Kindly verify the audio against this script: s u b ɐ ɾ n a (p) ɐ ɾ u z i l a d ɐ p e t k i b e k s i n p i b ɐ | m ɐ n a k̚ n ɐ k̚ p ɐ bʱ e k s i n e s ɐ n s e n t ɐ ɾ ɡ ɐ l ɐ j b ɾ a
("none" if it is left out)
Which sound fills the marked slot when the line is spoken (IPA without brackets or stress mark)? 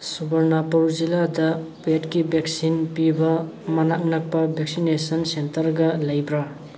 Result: p